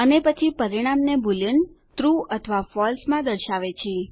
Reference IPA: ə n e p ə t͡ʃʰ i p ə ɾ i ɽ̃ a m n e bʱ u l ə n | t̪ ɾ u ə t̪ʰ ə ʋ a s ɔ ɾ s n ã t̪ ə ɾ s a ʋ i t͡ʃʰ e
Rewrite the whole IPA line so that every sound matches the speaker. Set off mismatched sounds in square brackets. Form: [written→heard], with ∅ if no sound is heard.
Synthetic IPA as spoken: ə n e p ə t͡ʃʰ i p ə ɾ i ɽ̃ a m n e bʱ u l ə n | t̪ ɾ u ə t̪ʰ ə ʋ a [s→f] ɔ [ɾ→l] s [n→m] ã [t̪→d̪] ə ɾ [s→ʃ] a ʋ [i→e] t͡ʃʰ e